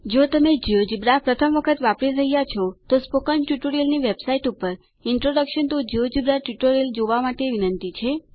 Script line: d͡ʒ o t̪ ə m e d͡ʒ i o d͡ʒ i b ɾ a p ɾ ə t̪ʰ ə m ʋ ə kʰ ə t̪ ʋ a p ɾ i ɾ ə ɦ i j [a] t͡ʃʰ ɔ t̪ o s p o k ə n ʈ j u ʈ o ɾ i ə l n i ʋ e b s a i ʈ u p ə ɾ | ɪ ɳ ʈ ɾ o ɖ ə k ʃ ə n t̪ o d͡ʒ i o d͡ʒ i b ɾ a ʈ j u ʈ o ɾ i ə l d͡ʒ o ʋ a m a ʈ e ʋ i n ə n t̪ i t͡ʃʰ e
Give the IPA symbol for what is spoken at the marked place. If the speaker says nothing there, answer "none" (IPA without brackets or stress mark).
a